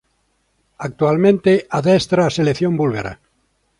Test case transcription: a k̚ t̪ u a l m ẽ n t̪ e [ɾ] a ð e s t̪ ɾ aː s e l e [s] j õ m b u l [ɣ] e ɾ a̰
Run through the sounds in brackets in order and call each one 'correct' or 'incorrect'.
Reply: incorrect, incorrect, correct

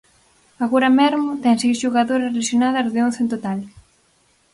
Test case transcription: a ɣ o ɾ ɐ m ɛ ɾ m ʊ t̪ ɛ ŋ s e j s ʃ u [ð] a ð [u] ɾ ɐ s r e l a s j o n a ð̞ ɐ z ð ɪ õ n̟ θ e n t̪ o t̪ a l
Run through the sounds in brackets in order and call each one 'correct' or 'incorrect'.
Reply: incorrect, incorrect

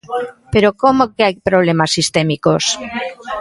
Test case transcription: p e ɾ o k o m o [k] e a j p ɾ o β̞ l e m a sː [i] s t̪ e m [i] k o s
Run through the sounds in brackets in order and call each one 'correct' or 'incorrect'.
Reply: correct, correct, correct

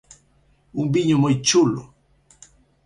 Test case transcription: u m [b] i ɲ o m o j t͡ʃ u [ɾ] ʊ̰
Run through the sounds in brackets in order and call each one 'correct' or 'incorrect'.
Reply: correct, incorrect

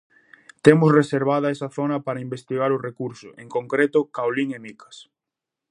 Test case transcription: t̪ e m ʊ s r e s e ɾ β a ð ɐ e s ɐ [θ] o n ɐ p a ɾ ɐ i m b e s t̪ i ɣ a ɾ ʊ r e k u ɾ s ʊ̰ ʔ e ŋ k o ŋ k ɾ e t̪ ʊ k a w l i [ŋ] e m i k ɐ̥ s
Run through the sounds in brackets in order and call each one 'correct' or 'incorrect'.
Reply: correct, correct

